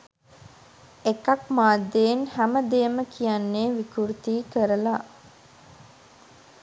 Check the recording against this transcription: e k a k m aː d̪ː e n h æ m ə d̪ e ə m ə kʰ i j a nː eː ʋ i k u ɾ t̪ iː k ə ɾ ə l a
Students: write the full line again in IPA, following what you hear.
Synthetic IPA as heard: e k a k m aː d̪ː e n h æ m ə d̪ e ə m ə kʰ i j a nː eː ʋ i k u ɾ t̪ iː k ə ɾ ə l a